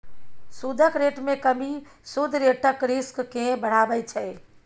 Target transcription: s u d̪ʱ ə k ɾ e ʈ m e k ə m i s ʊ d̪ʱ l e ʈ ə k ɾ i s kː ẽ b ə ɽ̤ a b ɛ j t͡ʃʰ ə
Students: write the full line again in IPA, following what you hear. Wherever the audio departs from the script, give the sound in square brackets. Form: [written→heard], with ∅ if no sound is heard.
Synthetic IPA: s u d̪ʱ ə k ɾ e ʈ m e k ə m i s [ʊ→u] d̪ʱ [l→ɾ] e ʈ ə k ɾ i s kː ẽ b ə ɽ̤ a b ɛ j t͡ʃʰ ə